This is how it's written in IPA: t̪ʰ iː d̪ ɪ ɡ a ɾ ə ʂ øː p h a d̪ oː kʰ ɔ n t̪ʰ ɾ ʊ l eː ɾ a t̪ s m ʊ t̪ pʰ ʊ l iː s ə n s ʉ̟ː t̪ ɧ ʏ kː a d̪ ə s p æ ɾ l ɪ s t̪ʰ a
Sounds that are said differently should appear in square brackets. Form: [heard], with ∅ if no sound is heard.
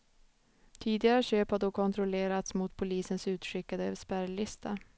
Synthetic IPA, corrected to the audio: t̪ʰ iː d̪ ɪ ɡ a ɾ ə [ɕ] øː p h a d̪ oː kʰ ɔ n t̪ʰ ɾ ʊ l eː ɾ a t̪ s m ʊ t̪ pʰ ʊ l iː s ə n s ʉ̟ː t̪ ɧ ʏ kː a d̪ ə s p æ ɾ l ɪ s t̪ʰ a